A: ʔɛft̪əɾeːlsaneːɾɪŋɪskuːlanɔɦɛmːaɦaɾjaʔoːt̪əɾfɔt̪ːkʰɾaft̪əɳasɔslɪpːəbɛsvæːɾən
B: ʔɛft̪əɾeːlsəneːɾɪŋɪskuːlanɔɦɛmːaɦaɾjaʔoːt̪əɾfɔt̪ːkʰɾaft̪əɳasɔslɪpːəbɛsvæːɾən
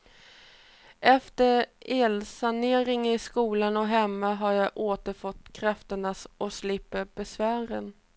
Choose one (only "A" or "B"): A